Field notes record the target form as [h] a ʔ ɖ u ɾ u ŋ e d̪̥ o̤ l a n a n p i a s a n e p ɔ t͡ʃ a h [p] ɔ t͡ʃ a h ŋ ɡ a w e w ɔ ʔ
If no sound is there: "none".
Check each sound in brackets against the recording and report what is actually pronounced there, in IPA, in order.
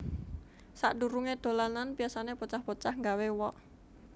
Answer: s, p

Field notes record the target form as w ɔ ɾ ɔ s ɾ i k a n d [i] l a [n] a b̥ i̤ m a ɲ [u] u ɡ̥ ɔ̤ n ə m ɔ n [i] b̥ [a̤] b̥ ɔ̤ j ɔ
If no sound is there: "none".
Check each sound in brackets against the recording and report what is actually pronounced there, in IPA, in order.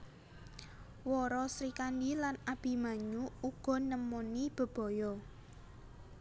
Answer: i, n, u, i, ə̤

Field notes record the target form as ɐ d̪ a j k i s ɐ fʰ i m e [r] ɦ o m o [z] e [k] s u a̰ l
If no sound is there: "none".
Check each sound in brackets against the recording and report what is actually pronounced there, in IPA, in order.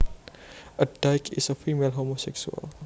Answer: l, s, k

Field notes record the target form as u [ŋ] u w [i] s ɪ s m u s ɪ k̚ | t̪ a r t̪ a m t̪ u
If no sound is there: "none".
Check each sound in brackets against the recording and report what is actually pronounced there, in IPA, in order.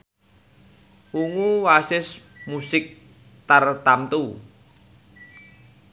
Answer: ŋ, a

